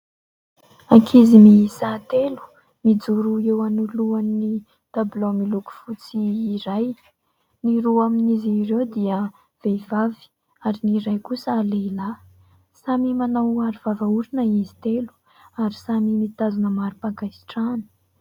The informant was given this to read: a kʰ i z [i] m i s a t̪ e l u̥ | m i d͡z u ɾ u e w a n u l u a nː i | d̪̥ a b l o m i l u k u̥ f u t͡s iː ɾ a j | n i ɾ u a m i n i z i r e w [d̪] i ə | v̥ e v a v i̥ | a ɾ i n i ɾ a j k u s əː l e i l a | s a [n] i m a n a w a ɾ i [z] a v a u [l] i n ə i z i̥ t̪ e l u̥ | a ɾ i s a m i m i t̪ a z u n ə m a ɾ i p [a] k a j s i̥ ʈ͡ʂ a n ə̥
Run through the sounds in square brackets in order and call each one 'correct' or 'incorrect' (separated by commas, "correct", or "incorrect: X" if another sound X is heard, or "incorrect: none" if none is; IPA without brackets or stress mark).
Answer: correct, correct, incorrect: m, incorrect: v, incorrect: ɾ, correct